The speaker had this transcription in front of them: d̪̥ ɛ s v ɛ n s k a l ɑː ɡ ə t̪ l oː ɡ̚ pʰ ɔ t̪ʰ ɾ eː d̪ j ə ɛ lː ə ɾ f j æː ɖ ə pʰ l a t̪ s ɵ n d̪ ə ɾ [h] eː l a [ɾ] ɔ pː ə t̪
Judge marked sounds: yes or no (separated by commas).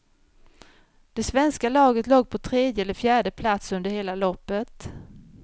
yes, no